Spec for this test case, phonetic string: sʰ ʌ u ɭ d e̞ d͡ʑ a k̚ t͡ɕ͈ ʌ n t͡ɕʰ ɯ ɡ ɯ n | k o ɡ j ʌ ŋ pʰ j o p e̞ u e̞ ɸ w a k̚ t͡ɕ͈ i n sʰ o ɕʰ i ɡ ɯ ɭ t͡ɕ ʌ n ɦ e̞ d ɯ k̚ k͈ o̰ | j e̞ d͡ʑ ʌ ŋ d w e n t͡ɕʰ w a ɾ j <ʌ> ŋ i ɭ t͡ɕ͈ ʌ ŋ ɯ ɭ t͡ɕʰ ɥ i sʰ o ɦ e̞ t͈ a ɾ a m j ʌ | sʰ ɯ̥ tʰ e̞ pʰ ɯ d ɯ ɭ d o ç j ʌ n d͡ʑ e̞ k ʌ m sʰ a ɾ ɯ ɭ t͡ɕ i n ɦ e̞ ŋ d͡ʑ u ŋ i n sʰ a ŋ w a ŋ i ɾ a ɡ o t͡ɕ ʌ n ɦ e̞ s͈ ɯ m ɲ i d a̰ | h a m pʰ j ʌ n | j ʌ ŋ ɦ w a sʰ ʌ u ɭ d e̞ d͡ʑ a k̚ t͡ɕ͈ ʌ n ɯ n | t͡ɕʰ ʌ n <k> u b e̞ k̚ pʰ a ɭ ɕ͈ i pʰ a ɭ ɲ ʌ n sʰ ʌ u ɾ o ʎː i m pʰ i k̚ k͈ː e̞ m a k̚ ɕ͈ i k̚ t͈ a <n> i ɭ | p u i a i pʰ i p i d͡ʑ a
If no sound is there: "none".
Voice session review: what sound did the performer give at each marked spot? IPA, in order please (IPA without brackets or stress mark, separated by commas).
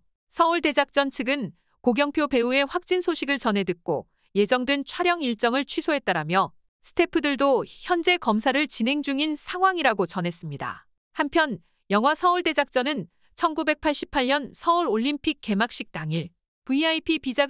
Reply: ʌ, ɡ, ŋ